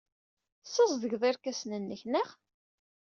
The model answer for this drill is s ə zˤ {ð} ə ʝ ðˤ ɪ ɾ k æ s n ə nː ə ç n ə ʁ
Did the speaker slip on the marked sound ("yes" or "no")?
no